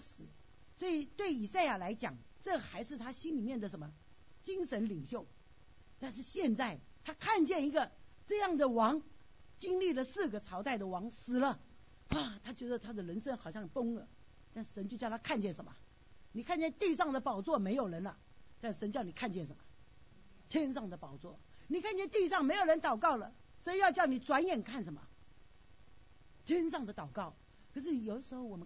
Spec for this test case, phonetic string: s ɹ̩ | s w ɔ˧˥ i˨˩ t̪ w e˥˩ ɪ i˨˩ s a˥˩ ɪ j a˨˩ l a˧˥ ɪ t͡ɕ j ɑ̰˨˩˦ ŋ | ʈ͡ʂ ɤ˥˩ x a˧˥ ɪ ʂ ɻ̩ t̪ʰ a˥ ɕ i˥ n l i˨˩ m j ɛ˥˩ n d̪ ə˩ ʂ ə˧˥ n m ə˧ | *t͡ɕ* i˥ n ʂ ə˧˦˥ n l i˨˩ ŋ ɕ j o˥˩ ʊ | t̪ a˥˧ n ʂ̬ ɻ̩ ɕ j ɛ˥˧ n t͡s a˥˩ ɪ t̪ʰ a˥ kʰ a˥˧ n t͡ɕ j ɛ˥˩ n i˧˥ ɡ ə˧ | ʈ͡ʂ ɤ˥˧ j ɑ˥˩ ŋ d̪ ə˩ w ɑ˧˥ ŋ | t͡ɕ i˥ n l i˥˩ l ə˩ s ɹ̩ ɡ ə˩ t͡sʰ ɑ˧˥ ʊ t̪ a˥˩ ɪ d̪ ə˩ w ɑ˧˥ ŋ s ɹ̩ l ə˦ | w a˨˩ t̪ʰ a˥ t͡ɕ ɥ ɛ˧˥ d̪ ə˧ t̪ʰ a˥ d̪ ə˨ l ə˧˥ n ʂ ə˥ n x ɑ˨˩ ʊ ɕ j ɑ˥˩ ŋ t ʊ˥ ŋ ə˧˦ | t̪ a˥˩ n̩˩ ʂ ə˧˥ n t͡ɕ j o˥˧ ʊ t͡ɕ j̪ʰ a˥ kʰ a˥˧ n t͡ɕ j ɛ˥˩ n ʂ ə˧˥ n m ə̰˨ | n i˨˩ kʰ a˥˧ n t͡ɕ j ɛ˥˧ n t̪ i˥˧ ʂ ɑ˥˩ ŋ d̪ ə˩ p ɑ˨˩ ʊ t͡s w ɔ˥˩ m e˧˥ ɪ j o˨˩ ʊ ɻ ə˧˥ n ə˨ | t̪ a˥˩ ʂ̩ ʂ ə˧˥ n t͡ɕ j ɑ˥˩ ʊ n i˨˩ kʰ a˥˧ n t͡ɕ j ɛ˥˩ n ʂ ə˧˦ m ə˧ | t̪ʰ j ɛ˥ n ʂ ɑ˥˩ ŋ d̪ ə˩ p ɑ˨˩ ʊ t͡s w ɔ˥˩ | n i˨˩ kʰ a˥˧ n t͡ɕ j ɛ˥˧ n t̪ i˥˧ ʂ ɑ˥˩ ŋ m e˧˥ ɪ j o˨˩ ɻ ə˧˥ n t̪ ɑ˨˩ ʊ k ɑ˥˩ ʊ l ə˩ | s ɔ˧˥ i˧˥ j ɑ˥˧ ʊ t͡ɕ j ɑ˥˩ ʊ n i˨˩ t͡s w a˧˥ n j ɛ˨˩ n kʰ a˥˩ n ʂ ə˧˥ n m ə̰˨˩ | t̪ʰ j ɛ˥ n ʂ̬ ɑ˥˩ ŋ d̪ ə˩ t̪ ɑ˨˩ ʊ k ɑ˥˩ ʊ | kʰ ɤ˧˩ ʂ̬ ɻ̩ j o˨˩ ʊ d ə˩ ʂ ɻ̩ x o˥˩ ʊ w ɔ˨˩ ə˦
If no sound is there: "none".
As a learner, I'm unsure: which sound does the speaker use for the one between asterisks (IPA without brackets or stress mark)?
t͡ɕ